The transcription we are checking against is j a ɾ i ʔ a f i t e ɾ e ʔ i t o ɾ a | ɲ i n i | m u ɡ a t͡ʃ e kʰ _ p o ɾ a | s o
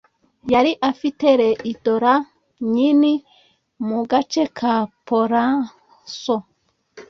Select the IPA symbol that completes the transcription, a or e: a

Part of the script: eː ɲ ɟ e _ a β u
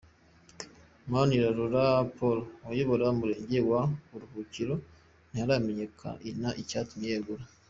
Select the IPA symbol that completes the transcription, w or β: w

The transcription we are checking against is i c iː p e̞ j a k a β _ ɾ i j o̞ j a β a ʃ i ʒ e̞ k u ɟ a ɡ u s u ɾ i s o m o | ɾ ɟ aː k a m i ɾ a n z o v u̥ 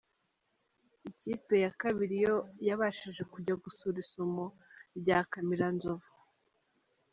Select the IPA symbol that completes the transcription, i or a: i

